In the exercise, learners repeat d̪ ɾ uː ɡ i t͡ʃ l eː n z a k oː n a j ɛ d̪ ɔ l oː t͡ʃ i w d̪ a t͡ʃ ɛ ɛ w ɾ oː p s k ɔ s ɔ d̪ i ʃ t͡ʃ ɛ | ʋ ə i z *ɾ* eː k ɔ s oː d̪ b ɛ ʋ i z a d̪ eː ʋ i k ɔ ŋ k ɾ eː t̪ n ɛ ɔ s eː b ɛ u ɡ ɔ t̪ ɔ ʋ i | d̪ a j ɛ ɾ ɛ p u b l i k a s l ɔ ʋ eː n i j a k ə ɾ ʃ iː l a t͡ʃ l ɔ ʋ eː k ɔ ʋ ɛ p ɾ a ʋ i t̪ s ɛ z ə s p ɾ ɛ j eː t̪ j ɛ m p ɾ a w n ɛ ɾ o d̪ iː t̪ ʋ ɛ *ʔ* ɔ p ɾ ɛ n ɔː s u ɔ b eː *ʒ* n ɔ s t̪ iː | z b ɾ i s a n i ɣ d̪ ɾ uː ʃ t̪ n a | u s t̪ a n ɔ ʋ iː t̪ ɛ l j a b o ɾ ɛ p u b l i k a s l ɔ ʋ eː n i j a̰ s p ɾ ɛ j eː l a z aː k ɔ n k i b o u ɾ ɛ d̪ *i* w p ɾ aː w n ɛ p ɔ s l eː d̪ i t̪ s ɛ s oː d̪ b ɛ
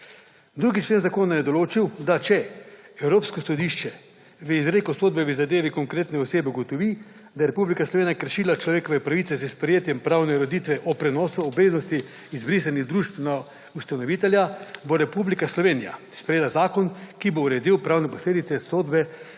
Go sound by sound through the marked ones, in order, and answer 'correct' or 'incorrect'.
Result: correct, correct, incorrect: z, correct

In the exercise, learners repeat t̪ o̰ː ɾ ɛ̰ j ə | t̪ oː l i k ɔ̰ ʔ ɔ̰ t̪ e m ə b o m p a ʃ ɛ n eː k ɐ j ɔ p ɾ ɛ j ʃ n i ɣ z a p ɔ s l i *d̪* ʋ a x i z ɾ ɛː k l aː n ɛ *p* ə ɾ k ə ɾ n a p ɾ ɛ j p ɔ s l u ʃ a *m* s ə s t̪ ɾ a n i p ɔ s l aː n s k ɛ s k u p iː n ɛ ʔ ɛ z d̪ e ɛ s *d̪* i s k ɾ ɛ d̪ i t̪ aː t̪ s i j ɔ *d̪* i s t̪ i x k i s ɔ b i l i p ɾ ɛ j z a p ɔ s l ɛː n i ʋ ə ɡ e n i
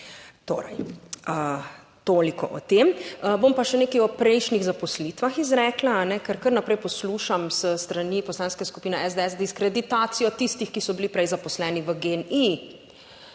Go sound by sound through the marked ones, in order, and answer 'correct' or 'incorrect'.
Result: incorrect: t̪, incorrect: k, correct, correct, incorrect: t̪

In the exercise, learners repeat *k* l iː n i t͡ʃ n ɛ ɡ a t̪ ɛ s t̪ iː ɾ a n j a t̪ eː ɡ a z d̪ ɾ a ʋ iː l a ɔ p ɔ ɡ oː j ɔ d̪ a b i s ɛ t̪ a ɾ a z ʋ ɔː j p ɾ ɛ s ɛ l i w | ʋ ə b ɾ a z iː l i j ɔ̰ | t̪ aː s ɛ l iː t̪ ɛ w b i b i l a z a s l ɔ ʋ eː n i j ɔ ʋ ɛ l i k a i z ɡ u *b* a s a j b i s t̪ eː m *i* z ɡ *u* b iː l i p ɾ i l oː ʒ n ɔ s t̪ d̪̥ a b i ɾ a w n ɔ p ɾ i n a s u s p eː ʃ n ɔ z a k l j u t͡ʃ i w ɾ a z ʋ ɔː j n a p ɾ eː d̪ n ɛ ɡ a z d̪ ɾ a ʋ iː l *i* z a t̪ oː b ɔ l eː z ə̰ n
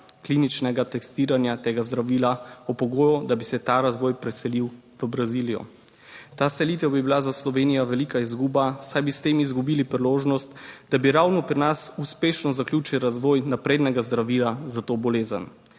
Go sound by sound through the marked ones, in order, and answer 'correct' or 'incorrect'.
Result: correct, correct, correct, correct, incorrect: a

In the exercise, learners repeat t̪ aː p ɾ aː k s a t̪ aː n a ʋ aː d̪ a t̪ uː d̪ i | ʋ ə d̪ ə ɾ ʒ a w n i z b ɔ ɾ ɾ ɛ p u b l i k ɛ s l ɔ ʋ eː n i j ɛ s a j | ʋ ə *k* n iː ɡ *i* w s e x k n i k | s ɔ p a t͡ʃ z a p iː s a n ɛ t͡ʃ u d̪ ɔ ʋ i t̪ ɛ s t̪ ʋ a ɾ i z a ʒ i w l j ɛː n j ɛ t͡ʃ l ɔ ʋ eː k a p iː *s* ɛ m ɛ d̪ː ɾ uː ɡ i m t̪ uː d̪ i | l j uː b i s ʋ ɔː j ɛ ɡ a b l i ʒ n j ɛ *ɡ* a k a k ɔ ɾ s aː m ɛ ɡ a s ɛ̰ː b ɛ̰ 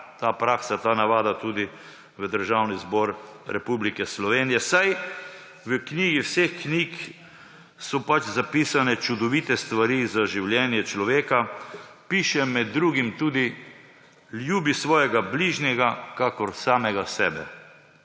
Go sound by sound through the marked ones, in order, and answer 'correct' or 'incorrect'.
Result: correct, correct, incorrect: ʃ, correct

